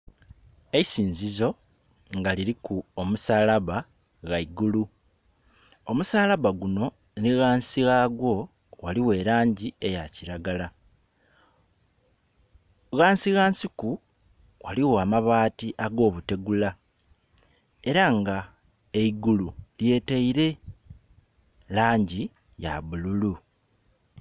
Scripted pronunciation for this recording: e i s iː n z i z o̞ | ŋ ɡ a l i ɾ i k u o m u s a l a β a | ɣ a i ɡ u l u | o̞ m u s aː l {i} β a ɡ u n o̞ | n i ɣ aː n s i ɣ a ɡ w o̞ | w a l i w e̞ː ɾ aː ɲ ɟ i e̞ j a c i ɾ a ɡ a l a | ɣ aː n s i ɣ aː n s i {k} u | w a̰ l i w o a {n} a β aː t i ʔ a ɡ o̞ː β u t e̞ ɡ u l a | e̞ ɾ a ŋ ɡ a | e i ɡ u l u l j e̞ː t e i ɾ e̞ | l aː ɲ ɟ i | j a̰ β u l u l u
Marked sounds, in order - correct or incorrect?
incorrect, correct, incorrect

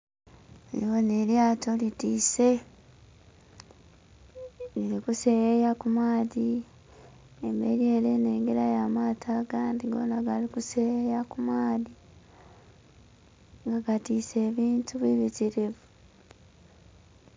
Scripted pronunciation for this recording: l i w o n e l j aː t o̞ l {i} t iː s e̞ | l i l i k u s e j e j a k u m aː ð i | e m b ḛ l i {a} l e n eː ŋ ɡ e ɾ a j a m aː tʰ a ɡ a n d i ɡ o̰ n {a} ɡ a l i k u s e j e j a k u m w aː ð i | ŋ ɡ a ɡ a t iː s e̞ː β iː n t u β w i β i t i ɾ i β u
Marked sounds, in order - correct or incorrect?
correct, incorrect, correct

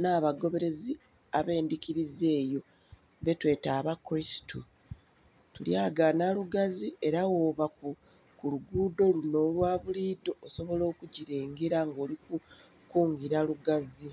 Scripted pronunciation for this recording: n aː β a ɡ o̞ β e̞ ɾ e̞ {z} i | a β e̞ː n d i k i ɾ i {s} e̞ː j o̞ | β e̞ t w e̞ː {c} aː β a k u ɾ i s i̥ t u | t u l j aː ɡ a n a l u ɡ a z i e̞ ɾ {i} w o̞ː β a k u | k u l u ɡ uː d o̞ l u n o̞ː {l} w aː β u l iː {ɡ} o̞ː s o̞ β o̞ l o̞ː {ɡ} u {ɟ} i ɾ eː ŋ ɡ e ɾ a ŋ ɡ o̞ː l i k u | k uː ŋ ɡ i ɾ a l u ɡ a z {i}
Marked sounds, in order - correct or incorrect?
correct, incorrect, incorrect, incorrect, correct, incorrect, incorrect, correct, correct

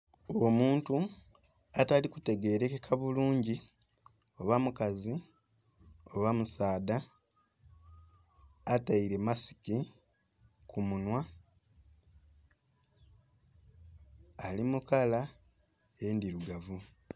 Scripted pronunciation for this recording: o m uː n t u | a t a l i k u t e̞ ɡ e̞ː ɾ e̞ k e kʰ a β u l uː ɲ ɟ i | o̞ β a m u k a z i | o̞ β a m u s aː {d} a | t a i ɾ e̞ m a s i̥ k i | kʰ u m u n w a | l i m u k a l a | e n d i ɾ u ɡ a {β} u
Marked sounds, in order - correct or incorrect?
correct, incorrect

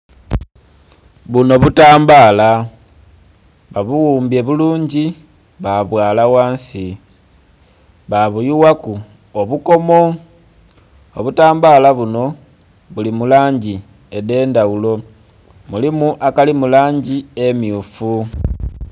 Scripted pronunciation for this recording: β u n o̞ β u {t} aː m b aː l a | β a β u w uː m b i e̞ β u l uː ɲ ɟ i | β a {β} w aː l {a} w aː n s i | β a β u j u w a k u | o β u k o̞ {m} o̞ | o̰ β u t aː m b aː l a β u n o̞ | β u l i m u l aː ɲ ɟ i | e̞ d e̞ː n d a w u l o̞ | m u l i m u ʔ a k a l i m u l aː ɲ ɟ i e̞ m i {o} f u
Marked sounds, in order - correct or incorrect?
correct, correct, correct, correct, incorrect

